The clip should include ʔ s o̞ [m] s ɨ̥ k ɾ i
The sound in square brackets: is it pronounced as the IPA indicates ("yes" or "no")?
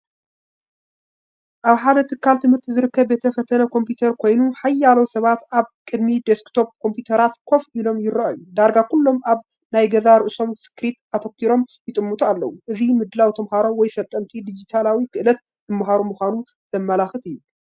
yes